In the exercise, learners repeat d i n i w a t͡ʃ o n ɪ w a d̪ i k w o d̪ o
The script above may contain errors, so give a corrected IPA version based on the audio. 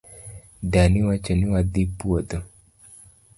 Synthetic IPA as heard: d a n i w a t͡ʃ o n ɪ w a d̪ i p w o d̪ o